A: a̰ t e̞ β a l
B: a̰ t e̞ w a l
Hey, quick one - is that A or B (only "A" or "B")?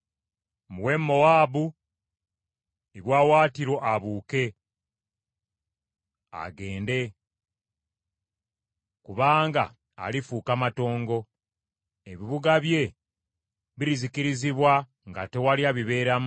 B